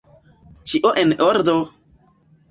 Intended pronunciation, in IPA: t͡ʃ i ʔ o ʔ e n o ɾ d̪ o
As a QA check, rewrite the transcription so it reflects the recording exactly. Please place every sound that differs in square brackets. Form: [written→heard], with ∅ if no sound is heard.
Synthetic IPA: t͡ʃ i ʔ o ʔ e n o ɾ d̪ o